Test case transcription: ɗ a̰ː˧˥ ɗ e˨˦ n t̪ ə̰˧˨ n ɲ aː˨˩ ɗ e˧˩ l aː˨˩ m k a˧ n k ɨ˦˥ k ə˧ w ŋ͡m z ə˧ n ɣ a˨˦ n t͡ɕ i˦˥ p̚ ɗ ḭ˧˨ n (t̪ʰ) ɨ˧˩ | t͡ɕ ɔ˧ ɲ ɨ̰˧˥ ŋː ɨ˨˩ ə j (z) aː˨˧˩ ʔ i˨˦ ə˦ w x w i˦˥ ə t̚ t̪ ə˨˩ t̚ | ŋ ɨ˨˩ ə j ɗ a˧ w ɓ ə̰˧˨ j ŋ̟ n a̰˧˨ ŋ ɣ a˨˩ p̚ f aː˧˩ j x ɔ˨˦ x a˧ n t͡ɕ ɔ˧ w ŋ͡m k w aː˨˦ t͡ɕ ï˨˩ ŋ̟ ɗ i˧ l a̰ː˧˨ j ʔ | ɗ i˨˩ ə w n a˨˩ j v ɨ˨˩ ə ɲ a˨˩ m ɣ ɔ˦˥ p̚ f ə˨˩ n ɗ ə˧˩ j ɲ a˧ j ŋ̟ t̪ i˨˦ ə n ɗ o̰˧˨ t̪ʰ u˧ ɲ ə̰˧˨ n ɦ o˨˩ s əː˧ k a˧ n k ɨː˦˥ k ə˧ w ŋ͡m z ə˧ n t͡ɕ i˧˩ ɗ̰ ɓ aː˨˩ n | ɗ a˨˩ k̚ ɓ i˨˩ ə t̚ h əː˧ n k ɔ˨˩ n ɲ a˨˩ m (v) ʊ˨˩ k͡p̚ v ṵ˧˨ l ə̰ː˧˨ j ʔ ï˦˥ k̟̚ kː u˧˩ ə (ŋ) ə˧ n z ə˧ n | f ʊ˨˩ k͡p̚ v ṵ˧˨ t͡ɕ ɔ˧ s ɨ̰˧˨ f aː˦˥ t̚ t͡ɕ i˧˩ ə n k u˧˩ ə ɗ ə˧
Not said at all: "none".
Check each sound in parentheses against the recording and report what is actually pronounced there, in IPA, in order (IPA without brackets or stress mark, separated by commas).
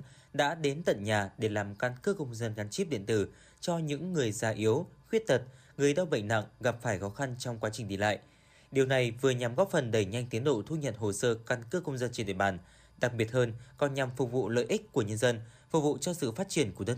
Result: t̪, z, f, ɲ